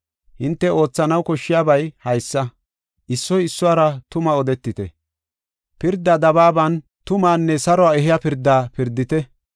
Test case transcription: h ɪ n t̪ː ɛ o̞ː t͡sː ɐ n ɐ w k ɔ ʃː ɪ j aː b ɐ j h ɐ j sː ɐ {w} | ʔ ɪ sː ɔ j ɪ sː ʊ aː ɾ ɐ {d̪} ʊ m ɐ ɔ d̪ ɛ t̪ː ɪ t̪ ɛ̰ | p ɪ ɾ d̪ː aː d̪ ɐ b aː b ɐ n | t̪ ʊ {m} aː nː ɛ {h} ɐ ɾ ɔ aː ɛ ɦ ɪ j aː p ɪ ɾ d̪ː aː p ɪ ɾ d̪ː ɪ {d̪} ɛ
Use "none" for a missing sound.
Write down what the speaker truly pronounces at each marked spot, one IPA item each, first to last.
none, t̪, m, s, t̪

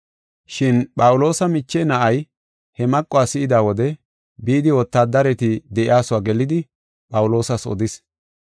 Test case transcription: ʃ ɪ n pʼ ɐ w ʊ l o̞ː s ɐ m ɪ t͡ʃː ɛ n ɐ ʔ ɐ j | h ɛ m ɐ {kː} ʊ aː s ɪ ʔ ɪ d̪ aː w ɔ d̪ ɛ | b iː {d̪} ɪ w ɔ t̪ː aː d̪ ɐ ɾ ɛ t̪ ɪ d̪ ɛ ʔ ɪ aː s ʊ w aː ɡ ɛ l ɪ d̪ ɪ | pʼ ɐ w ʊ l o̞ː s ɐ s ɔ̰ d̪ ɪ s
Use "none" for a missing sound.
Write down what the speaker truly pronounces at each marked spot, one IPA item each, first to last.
kʼː, d̪

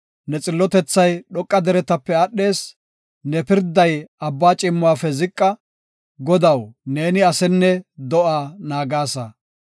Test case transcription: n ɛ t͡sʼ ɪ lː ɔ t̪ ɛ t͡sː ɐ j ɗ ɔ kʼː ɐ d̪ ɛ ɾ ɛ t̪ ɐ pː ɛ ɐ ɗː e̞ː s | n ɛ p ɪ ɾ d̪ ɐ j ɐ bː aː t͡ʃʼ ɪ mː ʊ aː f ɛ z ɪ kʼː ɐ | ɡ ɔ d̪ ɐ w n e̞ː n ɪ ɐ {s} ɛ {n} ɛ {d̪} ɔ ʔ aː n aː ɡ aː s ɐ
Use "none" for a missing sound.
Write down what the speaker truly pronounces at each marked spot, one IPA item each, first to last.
s, nː, d̪

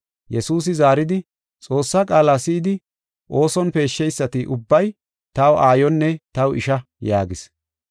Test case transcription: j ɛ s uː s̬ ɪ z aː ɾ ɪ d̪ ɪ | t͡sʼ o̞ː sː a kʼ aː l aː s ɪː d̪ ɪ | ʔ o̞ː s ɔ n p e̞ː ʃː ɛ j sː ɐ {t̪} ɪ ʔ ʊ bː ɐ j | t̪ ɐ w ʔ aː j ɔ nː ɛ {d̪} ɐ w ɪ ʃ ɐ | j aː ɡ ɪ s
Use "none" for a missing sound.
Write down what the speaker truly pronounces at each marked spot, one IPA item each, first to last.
t̪, t̪

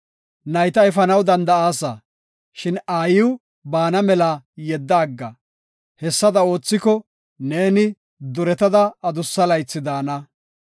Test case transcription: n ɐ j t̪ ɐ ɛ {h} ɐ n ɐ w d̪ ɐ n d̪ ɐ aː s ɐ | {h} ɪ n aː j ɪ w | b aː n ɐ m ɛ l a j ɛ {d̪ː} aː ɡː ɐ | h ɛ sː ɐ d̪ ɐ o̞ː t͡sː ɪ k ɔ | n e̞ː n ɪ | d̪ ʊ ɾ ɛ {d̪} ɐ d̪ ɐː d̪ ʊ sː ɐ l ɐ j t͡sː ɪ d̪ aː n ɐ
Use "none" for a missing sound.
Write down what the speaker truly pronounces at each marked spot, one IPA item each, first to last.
f, ʃ, d̪ː, t̪

